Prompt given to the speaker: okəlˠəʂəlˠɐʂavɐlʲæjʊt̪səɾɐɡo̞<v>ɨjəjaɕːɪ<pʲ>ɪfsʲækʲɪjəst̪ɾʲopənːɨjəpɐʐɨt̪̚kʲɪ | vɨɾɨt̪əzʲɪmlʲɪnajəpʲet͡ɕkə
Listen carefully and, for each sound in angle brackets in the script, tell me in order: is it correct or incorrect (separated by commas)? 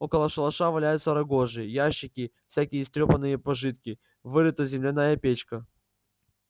incorrect, incorrect